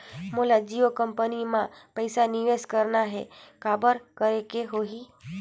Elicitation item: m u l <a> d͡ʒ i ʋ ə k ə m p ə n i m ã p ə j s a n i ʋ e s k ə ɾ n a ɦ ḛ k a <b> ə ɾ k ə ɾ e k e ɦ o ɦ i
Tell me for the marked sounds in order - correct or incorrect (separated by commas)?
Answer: correct, correct